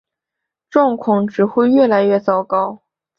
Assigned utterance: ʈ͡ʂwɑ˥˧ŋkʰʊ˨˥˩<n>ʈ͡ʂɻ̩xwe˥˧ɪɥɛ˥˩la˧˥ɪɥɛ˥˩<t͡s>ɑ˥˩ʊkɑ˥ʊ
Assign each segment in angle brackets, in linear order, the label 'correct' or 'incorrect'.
incorrect: ŋ, correct

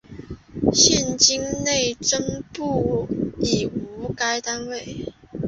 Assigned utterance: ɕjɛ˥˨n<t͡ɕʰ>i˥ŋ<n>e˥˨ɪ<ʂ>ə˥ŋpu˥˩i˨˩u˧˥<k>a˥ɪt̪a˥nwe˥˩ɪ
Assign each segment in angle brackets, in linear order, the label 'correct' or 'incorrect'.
incorrect: t͡ɕ, correct, incorrect: ʈ͡ʂ, correct

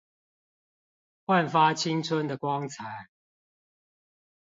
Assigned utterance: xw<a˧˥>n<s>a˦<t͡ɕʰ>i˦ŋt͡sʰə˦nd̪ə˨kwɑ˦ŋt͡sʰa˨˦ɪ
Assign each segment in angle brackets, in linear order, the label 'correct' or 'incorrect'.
incorrect: a˥˨, incorrect: f, correct

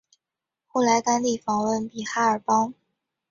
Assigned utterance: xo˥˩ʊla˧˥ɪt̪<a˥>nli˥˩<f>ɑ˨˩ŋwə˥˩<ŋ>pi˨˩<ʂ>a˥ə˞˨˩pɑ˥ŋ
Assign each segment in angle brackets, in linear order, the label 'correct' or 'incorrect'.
correct, correct, incorrect: n, incorrect: x

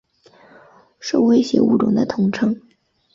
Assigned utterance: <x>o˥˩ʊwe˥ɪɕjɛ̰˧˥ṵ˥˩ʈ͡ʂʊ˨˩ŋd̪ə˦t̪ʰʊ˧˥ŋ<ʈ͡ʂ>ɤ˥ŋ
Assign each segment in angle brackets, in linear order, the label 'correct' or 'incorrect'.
incorrect: ʂ, incorrect: ʈ͡ʂʰ

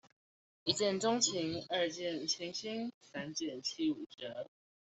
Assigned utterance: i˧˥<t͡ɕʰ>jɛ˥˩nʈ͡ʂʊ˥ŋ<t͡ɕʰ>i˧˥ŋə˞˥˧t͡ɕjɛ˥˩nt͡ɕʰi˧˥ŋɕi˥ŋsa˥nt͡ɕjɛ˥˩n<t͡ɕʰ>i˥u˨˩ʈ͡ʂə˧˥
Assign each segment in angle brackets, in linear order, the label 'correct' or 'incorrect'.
incorrect: t͡ɕ, correct, correct

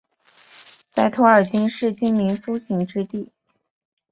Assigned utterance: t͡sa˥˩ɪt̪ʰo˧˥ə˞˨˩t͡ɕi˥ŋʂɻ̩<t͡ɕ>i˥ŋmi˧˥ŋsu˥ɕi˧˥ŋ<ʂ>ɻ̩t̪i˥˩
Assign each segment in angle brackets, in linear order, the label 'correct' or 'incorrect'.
correct, incorrect: ʈ͡ʂ

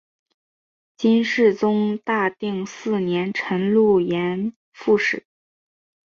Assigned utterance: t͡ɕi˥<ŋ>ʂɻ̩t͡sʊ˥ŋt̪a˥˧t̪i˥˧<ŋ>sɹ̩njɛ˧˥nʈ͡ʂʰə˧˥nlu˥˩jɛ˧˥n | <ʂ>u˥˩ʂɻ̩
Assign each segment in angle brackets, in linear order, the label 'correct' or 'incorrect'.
incorrect: n, correct, incorrect: f

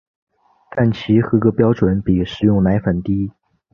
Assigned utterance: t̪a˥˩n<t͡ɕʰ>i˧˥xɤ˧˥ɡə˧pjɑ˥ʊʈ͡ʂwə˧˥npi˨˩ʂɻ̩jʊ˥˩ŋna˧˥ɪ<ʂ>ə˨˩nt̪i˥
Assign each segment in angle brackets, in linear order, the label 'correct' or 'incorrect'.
correct, incorrect: f

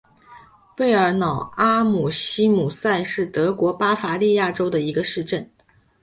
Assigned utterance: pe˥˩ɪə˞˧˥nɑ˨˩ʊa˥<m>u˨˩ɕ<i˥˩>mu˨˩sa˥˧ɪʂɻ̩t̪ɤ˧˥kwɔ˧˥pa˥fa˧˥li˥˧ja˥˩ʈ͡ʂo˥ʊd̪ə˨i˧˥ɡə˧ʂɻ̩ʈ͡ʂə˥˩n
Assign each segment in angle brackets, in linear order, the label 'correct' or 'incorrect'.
correct, incorrect: i˥

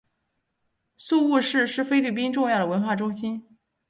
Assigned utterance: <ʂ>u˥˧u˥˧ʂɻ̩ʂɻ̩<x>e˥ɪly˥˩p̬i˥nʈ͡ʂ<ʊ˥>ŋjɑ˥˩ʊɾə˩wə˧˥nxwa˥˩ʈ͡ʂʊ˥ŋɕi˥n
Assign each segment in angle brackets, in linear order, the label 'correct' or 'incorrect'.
incorrect: s, incorrect: f, incorrect: ʊ˥˧

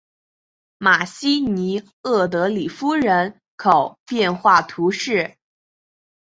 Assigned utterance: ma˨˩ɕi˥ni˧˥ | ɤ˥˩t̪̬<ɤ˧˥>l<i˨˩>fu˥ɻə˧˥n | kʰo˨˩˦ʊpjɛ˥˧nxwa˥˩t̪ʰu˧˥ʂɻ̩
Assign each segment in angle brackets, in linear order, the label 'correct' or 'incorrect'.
correct, correct

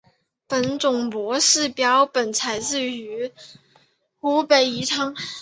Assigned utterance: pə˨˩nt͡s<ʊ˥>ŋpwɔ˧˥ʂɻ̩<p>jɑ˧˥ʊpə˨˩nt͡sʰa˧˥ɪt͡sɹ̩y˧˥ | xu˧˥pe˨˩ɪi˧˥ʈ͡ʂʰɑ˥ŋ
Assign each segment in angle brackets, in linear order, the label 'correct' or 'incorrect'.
incorrect: ʊ˨˩, correct

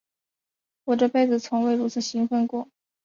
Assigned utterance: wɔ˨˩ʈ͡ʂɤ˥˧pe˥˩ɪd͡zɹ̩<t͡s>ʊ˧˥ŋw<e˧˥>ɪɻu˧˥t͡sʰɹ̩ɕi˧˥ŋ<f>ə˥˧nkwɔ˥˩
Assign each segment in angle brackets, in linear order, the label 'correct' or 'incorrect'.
incorrect: t͡sʰ, incorrect: e˥˩, correct

